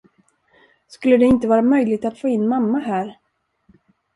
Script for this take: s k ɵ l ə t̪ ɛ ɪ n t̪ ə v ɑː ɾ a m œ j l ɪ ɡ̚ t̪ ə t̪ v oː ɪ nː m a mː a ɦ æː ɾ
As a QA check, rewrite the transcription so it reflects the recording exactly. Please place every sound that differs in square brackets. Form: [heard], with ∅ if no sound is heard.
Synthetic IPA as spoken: s k ɵ [lː] ə [d̪] ɛ ɪ n t̪ ə v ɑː ɾ a m œ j l ɪ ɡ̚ t̪ [a] t̪ [f] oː ɪ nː m a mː a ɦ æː ɾ

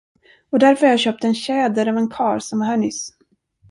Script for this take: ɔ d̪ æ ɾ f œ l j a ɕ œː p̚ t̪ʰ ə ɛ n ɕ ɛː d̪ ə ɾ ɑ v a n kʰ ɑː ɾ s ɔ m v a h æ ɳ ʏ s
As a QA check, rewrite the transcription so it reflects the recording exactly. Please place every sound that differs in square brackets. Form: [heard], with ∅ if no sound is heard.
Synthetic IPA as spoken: ɔ d̪ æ ɾ f œ [ɾ] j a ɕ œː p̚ [t̪] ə ɛ n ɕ ɛː d̪ ə ɾ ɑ v [ɛ] n kʰ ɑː ɾ s ɔ m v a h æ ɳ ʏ s

